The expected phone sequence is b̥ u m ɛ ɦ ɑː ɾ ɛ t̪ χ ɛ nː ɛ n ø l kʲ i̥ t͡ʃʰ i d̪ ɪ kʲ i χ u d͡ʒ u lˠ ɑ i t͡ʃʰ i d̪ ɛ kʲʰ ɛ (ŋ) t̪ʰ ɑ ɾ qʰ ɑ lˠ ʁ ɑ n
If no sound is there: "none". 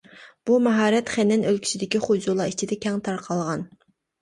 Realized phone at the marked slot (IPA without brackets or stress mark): ŋ